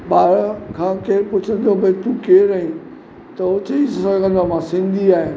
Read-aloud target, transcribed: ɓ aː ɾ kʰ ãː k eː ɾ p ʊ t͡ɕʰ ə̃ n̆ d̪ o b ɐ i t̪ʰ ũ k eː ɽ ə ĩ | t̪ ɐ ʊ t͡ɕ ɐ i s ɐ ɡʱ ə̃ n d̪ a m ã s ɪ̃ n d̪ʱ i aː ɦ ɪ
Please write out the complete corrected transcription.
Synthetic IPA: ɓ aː ɾ kʰ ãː k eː ɾ p ʊ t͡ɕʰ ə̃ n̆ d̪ o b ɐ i t̪ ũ k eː ɾ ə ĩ | t̪ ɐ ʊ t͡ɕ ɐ i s ɐ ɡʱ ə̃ n d̪ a m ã s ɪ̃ n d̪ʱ i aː ɦ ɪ